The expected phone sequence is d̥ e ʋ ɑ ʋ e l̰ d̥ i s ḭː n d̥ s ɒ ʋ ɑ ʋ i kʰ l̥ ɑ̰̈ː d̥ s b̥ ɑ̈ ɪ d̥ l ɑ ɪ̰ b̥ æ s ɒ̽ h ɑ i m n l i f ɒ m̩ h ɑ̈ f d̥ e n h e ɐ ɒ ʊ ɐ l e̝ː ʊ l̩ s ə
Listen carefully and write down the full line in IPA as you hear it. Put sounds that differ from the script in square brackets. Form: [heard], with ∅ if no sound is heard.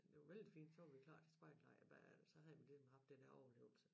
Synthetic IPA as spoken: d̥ e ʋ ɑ ʋ e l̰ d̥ i [f] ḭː n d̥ s ɒ ʋ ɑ ʋ i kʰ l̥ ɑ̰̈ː d̥ s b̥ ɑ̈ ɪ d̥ l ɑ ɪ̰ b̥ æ s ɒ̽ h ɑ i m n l i [s] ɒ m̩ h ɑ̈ f d̥ e n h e ɐ ɒ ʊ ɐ l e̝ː ʊ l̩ s ə